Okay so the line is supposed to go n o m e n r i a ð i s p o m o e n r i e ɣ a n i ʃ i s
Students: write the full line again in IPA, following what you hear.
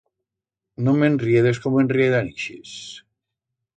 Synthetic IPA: n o m e n r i e ð e s k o m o e n r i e ð a n i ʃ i s